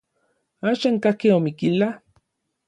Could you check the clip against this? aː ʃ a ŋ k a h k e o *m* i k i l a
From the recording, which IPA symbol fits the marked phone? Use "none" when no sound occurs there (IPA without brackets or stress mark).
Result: m